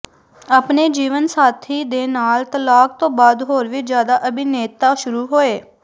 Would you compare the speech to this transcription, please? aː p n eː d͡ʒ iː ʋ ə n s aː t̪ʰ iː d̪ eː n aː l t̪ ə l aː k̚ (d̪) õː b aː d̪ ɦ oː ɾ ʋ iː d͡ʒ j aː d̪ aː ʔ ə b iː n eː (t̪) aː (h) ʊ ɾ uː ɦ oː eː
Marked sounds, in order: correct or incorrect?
incorrect: t̪, correct, incorrect: ʃ

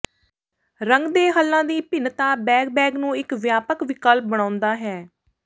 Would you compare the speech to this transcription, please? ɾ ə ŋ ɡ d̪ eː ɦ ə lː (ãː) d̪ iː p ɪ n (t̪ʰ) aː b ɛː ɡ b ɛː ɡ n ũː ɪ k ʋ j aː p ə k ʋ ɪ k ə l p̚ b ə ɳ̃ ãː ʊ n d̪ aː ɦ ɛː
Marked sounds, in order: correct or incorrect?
correct, incorrect: t̪

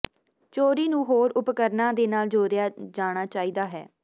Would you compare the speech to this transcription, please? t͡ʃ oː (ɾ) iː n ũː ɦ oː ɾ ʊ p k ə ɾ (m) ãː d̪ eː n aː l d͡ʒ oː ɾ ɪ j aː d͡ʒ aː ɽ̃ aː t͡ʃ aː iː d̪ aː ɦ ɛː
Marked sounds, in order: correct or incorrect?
correct, incorrect: n

